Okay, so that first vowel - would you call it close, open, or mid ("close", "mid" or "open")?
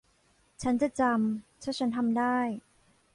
open